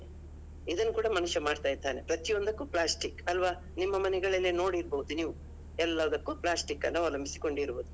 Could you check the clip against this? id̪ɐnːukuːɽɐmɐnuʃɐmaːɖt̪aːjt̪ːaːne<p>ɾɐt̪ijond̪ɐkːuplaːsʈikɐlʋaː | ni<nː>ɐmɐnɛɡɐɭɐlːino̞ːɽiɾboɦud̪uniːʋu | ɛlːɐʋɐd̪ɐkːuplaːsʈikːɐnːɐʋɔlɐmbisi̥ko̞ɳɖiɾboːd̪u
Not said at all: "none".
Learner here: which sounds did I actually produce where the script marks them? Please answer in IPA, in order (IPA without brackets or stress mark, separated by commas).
p, mː